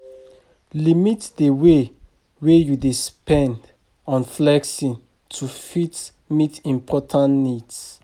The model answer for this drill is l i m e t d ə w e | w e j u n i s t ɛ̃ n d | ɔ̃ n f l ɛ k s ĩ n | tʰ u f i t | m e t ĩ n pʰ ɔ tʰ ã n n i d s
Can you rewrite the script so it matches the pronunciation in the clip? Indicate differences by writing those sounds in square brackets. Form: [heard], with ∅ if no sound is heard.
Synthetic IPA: l i m [i] t d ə w e | w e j u [d] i s [p] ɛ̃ n d | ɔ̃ n f l ɛ k s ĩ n | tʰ u f i t | m [i] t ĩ [m] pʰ ɔ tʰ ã n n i d s

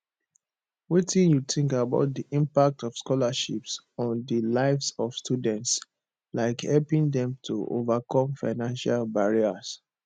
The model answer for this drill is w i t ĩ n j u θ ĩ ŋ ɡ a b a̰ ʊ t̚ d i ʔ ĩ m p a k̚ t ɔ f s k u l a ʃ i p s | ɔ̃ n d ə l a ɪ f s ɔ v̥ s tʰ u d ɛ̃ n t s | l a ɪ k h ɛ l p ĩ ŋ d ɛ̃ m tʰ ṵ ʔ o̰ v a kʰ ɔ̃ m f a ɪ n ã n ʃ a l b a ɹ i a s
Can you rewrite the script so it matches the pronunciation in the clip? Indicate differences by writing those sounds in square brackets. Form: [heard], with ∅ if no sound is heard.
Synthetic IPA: w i t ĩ n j u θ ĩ ŋ [k] a b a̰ ʊ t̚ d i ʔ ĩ m p a k̚ t ɔ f s k [ɔ] l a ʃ i p s | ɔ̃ n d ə l a ɪ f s ɔ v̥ s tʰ u d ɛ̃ n t s | l a ɪ k h ɛ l p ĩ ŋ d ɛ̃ m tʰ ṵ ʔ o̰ v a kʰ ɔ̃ m f a ɪ n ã n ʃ a l b a ɹ i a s

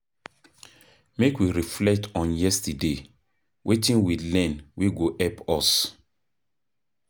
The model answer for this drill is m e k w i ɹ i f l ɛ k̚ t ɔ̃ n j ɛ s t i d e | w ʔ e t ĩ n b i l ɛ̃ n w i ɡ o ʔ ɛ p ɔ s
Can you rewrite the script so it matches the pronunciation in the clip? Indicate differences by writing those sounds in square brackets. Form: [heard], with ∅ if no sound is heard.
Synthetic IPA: m e k w i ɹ i f l ɛ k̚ t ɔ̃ n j ɛ s t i d e | w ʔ e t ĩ n [w] i l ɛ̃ n w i ɡ o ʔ ɛ p ɔ s

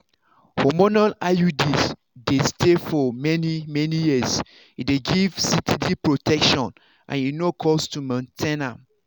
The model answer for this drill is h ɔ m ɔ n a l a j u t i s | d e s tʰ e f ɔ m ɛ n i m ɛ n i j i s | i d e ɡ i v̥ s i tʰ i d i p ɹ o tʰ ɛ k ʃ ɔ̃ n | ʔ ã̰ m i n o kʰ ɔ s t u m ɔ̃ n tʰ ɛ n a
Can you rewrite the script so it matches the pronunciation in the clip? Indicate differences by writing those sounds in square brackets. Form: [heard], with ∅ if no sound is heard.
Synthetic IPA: h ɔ m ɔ n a l a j u [d] i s | d e s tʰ e f ɔ m ɛ n i m ɛ n i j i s | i d e ɡ i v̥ s i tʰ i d i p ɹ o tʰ ɛ k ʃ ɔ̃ n | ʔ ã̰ [n] i n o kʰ ɔ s t u m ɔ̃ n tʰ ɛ n a

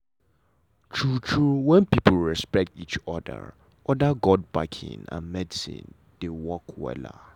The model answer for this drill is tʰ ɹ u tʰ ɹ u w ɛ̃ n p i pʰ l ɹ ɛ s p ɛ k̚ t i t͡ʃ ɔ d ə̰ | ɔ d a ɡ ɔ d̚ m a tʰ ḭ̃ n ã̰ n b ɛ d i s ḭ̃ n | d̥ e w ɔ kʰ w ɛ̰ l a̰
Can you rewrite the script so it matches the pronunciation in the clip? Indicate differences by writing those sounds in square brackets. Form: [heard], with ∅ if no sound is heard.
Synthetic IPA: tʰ ɹ u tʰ ɹ u w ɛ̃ n p i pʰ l ɹ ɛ s p ɛ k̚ t i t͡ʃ ɔ d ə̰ | ɔ d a ɡ ɔ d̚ [b] a [kʰ] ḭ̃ n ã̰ n [m] ɛ d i s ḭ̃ n | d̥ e w ɔ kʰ w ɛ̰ l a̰

